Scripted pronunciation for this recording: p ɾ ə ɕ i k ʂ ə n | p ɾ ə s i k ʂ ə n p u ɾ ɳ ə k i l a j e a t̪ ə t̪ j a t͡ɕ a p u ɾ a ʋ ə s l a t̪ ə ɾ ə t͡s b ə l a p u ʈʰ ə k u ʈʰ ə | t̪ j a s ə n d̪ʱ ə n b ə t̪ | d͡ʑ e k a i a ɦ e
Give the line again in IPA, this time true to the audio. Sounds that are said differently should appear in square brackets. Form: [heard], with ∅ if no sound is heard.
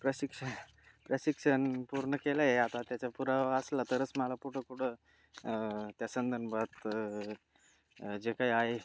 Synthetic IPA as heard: p ɾ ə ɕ i k ʂ ə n | p ɾ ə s i k ʂ ə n p u ɾ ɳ ə k [e] l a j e a t̪ [a] t̪ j a t͡ɕ a p u ɾ a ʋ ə s l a t̪ ə ɾ ə t͡s [m] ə l a p u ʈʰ ə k u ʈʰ ə | t̪ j a s ə n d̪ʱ ə n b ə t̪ | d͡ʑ e k a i a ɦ e